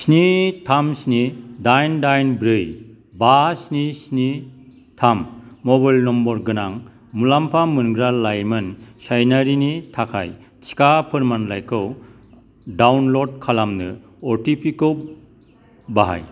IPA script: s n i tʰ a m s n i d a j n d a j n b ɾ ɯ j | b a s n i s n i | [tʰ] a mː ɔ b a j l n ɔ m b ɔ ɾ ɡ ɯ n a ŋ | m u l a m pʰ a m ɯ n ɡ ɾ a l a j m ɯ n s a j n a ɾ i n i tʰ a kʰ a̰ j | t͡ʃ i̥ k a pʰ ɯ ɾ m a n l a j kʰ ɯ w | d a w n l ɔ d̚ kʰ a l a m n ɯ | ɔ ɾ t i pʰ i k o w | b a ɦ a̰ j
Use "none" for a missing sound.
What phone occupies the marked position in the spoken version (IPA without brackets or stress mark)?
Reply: tʰ